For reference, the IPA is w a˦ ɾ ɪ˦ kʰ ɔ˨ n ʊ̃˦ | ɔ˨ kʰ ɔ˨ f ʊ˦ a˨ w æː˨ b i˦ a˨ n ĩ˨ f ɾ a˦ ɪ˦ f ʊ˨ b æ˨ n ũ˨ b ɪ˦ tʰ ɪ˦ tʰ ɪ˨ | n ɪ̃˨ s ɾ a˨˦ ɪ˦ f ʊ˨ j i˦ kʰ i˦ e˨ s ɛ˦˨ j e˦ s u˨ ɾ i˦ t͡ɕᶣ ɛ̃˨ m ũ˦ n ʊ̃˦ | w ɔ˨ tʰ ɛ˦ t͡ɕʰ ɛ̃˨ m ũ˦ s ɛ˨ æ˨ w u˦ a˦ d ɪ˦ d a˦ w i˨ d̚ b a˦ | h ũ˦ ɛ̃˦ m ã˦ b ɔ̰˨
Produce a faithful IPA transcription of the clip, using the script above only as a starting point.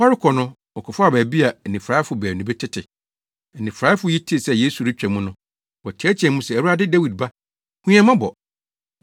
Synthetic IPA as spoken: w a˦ ɾ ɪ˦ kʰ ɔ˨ n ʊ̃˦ | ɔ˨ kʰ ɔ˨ f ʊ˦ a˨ b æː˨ b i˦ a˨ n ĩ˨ f ɾ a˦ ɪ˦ f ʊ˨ b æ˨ n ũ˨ b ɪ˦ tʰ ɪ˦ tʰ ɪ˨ | n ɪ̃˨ f ɾ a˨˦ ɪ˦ f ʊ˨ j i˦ tʰ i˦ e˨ s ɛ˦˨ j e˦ s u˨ ɾ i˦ t͡ɕᶣ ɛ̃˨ m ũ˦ n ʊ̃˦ | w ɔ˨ tʰ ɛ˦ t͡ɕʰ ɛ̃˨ m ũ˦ s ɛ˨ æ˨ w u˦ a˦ d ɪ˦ d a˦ w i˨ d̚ b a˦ | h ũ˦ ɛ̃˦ m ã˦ b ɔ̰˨